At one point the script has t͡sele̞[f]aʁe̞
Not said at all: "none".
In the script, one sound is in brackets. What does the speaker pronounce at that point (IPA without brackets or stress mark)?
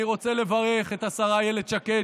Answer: v